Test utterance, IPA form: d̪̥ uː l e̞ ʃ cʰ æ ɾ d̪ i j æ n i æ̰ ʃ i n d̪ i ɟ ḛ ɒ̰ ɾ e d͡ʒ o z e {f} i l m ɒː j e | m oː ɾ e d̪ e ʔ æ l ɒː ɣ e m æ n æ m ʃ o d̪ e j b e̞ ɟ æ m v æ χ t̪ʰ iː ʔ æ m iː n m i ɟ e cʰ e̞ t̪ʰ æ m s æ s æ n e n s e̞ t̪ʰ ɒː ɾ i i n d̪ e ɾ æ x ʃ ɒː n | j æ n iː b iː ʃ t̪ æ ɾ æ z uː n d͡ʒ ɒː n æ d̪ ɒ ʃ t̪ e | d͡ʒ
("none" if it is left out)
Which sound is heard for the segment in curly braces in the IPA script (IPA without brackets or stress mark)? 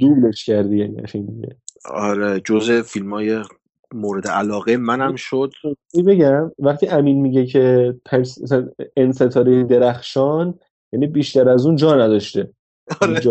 f